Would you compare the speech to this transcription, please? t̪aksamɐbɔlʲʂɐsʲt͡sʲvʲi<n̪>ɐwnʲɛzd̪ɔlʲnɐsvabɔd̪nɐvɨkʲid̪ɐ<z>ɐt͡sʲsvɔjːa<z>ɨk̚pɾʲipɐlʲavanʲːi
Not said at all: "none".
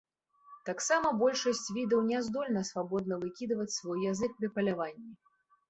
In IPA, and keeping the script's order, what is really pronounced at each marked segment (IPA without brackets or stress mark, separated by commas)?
d̪, v, z